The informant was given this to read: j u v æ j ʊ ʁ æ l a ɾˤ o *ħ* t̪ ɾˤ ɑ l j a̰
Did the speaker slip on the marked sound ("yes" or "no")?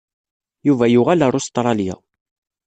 yes